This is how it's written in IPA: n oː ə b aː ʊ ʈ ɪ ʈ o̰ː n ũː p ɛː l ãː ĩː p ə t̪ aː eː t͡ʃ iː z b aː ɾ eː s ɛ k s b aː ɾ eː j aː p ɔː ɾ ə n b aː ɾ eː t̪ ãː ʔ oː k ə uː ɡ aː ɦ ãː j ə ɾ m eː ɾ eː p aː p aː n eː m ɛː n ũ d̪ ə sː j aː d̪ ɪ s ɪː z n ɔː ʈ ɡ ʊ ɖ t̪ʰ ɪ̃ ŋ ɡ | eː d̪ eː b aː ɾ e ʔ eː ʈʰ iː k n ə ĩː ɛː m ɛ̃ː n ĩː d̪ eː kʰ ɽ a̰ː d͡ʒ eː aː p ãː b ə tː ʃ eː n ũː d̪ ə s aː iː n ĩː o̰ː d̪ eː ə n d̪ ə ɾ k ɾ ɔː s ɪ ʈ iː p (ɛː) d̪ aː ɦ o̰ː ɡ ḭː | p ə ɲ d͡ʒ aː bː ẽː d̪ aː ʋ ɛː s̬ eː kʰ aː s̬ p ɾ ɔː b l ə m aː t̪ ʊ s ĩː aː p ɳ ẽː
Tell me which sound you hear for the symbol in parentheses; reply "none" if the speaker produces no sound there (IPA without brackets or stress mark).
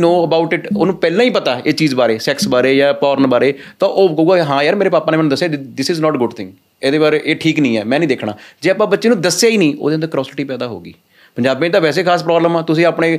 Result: ɛː